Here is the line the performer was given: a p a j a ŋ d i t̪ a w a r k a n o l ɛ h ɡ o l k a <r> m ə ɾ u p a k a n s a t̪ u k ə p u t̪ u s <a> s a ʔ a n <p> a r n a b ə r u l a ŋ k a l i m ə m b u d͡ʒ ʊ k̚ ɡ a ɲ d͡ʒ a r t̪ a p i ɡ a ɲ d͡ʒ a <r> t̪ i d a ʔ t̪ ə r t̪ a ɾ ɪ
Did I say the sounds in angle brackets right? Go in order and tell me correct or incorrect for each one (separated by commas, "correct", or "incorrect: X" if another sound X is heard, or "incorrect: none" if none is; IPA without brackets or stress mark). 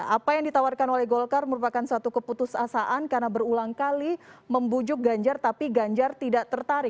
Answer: correct, correct, incorrect: k, correct